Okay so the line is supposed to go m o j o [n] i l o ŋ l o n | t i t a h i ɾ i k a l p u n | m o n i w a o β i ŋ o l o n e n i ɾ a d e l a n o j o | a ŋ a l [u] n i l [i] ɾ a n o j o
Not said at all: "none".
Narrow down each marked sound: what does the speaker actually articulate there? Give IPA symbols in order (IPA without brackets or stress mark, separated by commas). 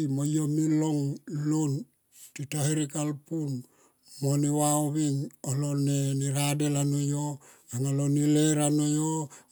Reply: m, o, e